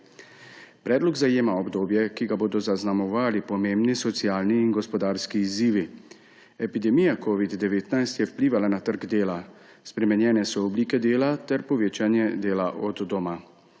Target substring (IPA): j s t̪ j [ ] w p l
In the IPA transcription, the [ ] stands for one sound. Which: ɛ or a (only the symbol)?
ɛ